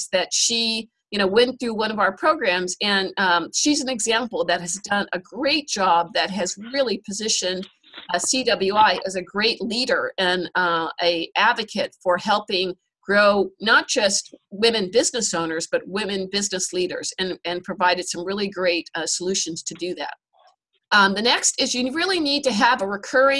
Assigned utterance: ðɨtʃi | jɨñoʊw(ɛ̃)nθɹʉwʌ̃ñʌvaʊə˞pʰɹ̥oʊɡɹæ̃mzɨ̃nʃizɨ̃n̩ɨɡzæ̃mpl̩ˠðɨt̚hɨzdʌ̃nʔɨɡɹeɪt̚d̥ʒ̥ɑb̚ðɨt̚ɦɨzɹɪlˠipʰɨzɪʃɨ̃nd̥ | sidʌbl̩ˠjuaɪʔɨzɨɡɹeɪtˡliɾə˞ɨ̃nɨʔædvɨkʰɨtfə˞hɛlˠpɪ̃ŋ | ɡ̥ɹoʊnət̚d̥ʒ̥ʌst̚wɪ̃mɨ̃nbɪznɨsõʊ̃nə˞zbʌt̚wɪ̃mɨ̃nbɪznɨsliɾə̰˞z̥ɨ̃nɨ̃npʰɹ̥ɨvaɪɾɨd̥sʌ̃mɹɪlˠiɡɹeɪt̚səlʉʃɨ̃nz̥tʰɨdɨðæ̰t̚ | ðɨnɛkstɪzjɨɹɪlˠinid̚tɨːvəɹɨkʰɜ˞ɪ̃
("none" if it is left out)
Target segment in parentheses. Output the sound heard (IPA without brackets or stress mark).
ɛ̃